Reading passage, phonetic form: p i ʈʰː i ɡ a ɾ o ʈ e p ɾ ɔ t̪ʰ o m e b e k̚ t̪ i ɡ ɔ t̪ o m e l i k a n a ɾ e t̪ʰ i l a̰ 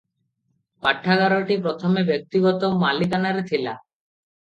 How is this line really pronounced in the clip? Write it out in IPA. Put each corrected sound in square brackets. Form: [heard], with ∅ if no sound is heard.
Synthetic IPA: p [a] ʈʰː [a] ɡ a ɾ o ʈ [i] p ɾ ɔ t̪ʰ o m e b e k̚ t̪ i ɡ ɔ t̪ o m [a] l i k a n a ɾ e t̪ʰ i l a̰

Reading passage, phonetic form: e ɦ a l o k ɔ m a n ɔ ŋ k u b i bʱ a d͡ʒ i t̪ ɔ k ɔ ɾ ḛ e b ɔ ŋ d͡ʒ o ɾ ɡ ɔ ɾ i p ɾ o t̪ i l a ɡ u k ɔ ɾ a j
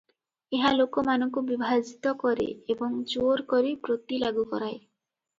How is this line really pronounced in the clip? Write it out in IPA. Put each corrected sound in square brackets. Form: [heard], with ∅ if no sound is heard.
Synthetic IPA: e ɦ a l o k ɔ m a n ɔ ŋ k u b i bʱ a d͡ʒ i t̪ ɔ k ɔ ɾ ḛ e b ɔ ŋ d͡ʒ o ɾ [k] ɔ ɾ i p ɾ o t̪ i l a ɡ u k ɔ ɾ a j

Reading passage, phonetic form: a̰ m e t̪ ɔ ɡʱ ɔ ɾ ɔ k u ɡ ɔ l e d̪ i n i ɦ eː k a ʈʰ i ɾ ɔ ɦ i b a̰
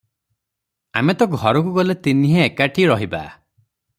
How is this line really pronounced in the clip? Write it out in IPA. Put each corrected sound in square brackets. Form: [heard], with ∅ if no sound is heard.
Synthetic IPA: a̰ m e t̪ ɔ ɡʱ ɔ ɾ ɔ k u ɡ ɔ l e [t̪] i n i ɦ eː k a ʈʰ i ɾ ɔ ɦ i b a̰

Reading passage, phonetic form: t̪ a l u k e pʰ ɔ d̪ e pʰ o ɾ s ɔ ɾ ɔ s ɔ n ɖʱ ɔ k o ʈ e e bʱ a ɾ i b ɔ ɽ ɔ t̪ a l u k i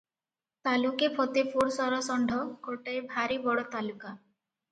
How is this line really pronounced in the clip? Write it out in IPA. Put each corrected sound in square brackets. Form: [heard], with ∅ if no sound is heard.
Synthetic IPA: t̪ a l u k e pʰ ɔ [t̪] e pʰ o ɾ s ɔ ɾ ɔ s ɔ [ɳ] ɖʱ ɔ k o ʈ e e bʱ a ɾ i b ɔ ɽ ɔ t̪ a l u k [a]

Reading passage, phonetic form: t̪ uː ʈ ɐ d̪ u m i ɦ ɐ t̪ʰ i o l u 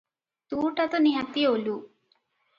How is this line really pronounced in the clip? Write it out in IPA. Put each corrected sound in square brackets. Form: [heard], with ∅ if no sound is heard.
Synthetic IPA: t̪ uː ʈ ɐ [t̪] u [n] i ɦ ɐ [t̪] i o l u

